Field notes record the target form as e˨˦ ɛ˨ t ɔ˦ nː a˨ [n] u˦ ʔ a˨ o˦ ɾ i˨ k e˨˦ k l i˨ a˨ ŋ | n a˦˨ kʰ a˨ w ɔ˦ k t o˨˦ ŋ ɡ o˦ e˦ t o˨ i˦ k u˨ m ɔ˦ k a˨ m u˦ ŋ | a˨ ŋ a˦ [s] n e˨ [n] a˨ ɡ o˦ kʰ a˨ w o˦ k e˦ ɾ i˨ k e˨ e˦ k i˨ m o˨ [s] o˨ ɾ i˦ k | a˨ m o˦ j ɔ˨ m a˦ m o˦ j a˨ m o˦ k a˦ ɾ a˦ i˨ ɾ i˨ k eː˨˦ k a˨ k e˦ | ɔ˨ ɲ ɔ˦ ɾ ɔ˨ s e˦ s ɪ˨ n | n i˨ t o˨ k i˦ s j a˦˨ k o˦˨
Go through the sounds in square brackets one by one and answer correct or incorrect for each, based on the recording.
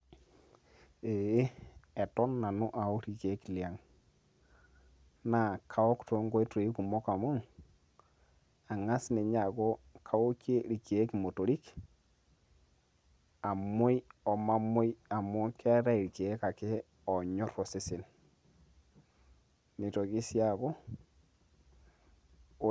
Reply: correct, correct, incorrect: ɲ, incorrect: t

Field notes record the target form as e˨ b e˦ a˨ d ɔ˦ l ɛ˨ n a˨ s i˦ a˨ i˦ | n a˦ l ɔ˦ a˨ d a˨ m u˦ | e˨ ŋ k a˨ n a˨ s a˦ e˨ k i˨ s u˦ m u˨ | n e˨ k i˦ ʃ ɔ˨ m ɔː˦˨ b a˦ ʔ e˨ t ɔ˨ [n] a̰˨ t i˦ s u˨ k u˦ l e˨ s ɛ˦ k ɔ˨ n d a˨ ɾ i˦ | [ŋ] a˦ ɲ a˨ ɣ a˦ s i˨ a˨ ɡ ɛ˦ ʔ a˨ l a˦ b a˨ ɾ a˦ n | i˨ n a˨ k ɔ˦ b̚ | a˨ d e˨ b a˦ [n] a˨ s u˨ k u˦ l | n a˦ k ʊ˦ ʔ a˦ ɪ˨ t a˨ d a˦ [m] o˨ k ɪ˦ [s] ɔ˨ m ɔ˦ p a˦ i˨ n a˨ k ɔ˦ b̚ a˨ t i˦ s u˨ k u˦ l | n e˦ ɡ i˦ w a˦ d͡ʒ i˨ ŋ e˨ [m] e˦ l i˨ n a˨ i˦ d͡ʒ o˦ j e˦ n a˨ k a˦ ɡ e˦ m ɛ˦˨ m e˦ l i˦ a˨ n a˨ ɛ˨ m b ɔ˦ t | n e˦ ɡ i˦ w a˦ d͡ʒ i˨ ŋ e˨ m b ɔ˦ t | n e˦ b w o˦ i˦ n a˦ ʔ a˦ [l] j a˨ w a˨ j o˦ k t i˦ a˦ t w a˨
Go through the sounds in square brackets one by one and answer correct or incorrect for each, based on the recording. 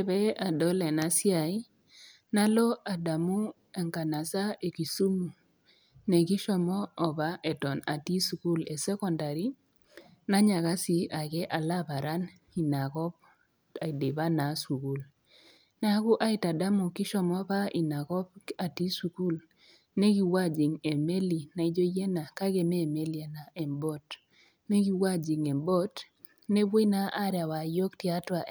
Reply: correct, incorrect: n, correct, correct, incorrect: ʃ, correct, incorrect: ɾ

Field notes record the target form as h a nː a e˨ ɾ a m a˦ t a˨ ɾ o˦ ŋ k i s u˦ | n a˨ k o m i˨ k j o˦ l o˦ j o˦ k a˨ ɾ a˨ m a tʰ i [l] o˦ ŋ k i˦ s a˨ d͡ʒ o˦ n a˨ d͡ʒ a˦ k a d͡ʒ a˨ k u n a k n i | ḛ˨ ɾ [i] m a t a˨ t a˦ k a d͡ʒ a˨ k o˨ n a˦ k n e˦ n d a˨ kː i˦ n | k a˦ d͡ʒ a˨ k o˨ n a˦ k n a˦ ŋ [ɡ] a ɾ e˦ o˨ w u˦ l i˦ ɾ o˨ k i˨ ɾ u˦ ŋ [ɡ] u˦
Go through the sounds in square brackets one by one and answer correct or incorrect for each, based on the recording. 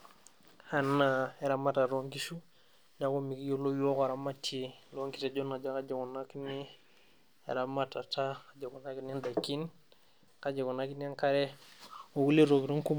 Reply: correct, incorrect: a, incorrect: k, incorrect: k

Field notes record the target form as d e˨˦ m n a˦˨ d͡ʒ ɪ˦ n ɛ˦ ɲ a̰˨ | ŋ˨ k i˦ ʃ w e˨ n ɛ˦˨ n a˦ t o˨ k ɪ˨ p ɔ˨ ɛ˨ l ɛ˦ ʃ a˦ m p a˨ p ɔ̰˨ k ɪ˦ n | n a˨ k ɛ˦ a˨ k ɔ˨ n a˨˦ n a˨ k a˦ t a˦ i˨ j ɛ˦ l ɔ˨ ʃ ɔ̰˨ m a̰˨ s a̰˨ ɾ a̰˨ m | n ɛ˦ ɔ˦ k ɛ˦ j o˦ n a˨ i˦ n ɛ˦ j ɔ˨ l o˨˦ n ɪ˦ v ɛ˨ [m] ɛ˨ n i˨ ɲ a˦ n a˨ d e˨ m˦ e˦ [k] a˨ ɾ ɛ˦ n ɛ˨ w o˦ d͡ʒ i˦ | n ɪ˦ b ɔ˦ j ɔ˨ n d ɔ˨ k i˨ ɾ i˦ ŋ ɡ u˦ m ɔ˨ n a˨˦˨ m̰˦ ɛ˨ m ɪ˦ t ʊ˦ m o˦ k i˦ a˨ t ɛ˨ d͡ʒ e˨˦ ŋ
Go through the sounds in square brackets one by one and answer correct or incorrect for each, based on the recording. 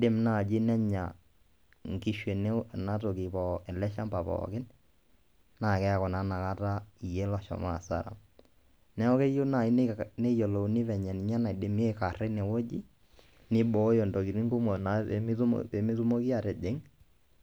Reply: incorrect: ɲ, correct

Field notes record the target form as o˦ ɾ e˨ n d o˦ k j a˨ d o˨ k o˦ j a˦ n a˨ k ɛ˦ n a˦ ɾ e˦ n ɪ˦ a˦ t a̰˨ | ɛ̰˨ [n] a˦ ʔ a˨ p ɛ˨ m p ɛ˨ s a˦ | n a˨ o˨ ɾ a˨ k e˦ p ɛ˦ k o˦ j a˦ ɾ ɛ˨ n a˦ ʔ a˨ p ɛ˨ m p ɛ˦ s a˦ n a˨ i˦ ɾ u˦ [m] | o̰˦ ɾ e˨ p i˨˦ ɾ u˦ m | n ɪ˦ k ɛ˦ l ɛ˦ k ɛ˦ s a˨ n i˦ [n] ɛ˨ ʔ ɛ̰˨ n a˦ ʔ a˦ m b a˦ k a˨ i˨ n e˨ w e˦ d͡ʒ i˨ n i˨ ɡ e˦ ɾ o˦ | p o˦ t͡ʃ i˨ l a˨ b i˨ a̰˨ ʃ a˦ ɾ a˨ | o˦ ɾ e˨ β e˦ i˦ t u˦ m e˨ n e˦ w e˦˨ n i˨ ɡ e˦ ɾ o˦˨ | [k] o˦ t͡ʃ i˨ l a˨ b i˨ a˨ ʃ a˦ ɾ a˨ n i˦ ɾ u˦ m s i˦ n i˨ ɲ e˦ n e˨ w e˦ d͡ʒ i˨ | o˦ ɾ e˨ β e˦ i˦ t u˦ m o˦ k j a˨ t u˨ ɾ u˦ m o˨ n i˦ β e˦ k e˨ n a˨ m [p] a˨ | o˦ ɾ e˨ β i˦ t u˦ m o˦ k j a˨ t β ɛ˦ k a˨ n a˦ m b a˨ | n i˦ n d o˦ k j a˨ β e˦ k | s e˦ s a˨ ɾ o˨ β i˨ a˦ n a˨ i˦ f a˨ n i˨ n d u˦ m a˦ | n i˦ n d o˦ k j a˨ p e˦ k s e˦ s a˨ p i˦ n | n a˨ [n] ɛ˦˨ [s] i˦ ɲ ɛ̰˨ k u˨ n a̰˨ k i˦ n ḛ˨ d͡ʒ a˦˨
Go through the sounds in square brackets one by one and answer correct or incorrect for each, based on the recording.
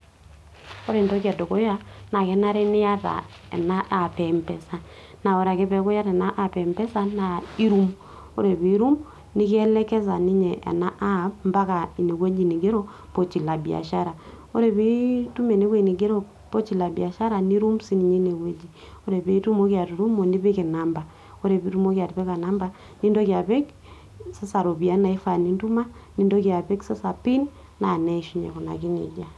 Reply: correct, correct, incorrect: ɲ, incorrect: p, incorrect: b, correct, incorrect: ʃ

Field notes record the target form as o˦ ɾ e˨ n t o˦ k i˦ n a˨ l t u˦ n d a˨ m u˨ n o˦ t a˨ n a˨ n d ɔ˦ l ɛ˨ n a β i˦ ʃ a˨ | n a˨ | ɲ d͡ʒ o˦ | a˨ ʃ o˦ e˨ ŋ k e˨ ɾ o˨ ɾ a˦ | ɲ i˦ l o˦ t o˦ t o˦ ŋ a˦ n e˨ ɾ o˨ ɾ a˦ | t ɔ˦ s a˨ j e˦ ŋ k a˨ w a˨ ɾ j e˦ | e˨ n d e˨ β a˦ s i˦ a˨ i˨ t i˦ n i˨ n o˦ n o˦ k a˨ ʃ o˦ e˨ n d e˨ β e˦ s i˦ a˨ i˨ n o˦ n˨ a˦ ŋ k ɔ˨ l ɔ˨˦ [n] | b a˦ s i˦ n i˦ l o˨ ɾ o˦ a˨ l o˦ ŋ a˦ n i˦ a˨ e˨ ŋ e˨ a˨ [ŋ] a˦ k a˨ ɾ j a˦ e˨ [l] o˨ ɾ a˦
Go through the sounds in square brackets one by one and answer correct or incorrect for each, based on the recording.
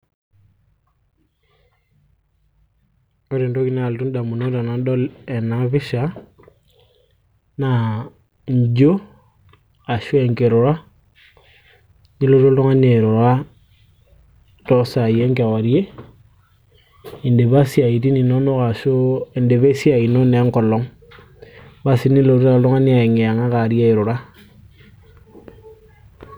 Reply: incorrect: ŋ, correct, incorrect: ɾ

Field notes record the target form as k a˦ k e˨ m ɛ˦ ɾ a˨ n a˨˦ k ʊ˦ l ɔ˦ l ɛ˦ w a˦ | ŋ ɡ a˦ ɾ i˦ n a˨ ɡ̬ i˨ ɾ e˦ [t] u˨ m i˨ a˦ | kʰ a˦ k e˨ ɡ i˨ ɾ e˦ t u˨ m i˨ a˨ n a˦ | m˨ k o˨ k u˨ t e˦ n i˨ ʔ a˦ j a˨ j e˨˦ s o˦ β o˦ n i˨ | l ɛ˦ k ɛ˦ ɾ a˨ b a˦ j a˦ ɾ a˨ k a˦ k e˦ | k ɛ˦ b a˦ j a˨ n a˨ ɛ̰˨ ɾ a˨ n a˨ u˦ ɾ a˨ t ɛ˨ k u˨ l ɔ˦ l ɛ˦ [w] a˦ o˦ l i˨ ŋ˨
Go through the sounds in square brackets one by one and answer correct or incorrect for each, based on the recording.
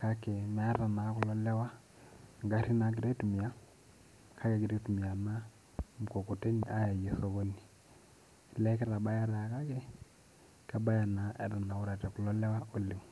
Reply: correct, correct

